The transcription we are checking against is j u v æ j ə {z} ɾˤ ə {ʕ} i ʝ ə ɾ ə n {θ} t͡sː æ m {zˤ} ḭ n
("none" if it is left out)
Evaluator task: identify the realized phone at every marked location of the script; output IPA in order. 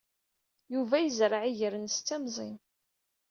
z, ʕ, s, zˤ

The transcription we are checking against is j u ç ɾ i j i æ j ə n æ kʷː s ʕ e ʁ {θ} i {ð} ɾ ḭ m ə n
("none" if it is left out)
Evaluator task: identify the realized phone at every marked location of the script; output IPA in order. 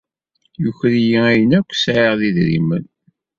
ð, ð

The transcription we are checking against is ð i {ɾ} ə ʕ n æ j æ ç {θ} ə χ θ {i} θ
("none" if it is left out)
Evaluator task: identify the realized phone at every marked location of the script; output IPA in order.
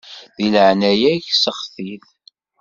l, s, i

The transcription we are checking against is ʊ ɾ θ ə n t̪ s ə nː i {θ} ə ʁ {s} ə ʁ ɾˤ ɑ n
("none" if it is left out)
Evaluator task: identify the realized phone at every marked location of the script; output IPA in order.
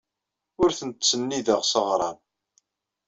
ð, s

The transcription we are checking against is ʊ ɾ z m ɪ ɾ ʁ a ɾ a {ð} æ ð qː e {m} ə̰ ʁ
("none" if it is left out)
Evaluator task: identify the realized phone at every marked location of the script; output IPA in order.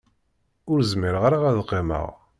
ʁ, m

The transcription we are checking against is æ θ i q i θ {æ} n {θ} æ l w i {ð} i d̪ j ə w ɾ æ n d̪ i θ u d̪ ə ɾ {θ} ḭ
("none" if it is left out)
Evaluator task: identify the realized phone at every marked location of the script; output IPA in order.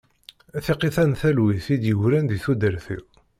æ, θ, θ, θ

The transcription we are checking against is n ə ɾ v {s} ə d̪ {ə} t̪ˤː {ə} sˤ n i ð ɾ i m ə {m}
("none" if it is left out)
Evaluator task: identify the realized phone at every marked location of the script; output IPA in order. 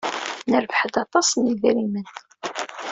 ħ, ɑ, ɑ, n

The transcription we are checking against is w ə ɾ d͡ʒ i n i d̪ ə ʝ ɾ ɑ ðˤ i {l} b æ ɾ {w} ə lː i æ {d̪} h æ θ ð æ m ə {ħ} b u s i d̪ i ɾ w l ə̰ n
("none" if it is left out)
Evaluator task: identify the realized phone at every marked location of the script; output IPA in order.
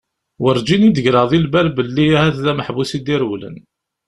l, b, none, ħ

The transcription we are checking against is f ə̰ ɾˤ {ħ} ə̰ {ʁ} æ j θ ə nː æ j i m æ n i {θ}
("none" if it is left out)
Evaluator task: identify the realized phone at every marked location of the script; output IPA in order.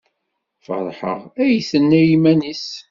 ħ, ʁ, s

